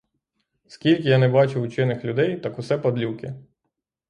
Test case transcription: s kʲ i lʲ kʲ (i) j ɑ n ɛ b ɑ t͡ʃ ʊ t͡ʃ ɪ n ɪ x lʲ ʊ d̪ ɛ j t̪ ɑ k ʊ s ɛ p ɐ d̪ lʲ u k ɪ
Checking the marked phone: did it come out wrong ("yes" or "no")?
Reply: yes